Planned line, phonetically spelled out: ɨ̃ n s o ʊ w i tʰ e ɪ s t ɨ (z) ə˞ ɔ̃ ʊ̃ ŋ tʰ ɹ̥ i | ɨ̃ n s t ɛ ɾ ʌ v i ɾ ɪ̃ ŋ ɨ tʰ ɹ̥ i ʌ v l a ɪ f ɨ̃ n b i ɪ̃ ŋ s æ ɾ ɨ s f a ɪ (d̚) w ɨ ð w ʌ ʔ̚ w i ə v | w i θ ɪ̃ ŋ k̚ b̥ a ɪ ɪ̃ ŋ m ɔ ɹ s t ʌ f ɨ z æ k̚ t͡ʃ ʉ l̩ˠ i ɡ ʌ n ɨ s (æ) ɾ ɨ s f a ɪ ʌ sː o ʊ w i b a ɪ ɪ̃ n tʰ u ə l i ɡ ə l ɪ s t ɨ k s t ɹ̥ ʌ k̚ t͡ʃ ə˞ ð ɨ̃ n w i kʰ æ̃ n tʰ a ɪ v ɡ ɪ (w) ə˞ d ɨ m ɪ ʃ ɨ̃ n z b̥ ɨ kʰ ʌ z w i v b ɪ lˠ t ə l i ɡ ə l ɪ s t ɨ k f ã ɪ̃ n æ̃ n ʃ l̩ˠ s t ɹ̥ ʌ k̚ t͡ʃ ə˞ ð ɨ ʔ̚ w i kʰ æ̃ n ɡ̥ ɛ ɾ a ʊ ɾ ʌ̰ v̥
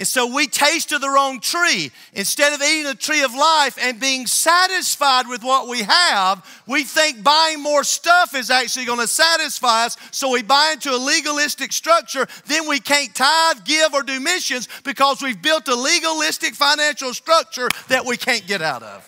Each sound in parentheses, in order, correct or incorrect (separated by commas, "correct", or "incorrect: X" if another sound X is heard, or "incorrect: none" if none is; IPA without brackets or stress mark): incorrect: ð, correct, correct, incorrect: v